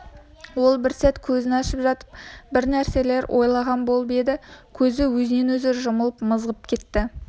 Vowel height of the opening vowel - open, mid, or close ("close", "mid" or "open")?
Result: mid